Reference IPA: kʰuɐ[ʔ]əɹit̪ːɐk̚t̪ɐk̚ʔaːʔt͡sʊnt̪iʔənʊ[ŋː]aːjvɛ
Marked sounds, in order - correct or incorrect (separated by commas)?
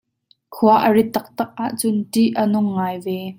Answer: correct, correct